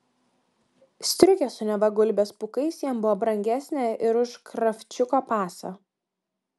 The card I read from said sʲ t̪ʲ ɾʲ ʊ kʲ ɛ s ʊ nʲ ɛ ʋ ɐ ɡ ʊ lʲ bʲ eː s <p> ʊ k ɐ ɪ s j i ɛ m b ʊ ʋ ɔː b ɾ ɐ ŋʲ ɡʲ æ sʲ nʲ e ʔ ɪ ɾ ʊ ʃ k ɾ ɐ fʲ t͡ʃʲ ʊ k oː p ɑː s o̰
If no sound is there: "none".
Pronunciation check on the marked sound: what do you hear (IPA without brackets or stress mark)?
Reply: p